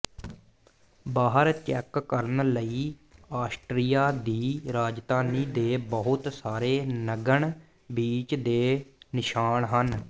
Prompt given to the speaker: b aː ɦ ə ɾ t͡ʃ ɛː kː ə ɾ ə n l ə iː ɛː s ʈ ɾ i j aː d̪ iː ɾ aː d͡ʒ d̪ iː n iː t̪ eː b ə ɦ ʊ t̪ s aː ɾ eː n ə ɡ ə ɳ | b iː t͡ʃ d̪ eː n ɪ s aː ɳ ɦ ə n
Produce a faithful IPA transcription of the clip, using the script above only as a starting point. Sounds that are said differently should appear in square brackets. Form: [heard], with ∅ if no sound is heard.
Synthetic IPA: b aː ɦ ə ɾ t͡ʃ ɛː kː ə ɾ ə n l ə iː [aː] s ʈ ɾ i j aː d̪ iː ɾ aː d͡ʒ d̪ [aː] n iː [d̪] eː b ə ɦ ʊ t̪ s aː ɾ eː n ə ɡ ə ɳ | b iː t͡ʃ d̪ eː n ɪ [ʃ] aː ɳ ɦ ə n